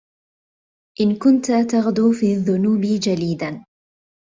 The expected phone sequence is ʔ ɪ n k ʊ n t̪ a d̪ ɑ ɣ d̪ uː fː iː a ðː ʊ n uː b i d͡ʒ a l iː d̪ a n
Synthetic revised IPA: ʔ ɪ n k ʊ n t̪ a t̪ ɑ ɣ d̪ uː f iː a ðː ʊ n uː b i d͡ʒ a l iː d̪ a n